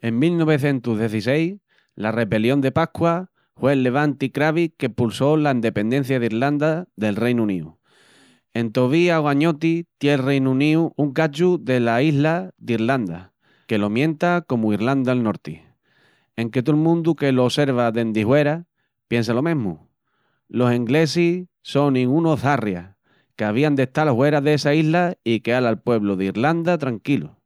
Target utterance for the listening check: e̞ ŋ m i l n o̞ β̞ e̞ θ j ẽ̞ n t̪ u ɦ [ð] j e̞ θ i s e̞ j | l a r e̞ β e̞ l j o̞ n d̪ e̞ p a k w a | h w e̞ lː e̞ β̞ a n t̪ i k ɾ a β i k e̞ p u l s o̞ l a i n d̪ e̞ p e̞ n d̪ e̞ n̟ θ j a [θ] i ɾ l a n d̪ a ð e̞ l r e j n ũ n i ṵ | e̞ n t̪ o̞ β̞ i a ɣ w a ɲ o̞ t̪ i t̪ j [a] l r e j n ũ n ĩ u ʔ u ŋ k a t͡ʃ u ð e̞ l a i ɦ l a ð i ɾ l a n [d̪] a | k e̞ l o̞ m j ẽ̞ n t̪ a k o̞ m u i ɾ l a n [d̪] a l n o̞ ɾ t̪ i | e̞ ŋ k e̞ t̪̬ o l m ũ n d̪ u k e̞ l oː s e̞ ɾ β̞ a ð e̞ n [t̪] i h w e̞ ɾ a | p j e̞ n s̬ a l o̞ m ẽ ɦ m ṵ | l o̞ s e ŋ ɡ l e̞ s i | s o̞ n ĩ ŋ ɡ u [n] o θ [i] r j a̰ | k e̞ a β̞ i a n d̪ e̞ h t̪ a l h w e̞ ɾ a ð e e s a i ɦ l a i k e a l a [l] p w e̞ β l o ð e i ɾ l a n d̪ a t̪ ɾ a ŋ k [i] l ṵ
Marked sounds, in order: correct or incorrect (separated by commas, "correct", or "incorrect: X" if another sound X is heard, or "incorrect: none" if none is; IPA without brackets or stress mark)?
correct, incorrect: ð, incorrect: e, correct, correct, incorrect: d̪, correct, incorrect: a, correct, correct